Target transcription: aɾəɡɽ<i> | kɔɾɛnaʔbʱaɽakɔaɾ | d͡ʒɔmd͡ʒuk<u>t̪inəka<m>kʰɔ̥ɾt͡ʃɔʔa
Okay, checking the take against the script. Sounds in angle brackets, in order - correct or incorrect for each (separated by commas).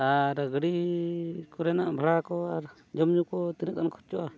correct, incorrect, incorrect